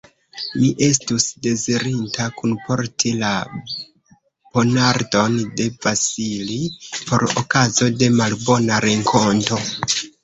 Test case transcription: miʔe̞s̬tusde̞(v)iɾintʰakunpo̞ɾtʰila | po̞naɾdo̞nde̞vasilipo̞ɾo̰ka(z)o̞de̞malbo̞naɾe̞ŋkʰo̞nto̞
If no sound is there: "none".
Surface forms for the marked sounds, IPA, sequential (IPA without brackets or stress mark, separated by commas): z, z